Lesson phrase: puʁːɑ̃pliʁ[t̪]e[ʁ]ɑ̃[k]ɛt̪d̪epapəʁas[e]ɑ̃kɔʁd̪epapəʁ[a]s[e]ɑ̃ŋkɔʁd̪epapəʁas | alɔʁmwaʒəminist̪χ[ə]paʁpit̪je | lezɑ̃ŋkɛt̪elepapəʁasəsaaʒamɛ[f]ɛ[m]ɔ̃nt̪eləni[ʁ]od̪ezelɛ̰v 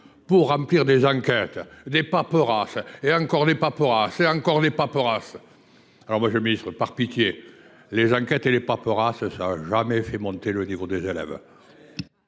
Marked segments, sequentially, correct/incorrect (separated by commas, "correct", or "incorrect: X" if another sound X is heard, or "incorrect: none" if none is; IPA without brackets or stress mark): incorrect: d̪, incorrect: z, correct, correct, correct, correct, correct, correct, correct, incorrect: v